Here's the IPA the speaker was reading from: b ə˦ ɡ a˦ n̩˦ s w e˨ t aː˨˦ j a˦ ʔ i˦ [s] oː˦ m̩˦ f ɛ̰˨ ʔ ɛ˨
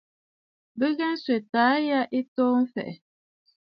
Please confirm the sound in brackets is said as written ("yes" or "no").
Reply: no